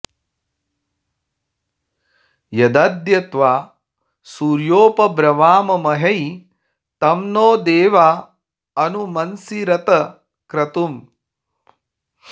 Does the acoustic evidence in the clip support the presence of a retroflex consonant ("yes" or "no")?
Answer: no